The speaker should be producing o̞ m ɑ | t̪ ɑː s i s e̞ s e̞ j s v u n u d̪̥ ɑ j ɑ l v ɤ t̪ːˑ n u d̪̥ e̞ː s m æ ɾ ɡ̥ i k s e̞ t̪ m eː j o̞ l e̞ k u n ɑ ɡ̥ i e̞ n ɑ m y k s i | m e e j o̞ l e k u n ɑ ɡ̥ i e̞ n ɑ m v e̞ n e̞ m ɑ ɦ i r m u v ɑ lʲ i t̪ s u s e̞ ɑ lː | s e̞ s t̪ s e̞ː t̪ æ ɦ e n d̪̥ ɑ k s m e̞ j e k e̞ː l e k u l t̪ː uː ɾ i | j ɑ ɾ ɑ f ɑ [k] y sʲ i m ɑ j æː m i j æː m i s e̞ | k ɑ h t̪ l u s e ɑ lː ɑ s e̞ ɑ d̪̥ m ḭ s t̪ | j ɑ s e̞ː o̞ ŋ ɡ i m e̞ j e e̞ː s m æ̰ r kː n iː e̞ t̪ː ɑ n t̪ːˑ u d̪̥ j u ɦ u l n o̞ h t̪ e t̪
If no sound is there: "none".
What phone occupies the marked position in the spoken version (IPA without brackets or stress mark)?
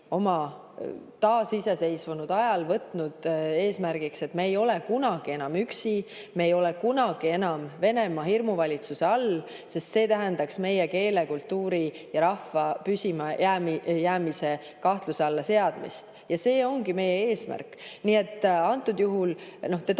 p